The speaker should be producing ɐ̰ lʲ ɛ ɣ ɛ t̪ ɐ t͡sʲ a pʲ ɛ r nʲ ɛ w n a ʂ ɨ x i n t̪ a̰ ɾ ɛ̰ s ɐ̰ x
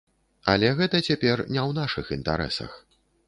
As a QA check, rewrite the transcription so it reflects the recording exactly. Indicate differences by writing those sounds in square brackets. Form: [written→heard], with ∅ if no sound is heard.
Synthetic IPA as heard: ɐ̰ lʲ ɛ ɣ ɛ t̪ ɐ t͡sʲ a pʲ ɛ r nʲ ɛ w n a ʂ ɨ x i n t̪ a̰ ɾ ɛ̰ s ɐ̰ x